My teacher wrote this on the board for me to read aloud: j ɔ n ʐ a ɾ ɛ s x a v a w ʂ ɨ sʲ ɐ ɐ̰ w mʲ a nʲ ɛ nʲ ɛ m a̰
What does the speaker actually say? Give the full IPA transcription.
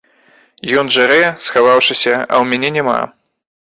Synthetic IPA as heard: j ɔ n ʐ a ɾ ɛ s x a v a w ʂ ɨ sʲ ɐ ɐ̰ w mʲ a nʲ ɛ nʲ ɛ m a̰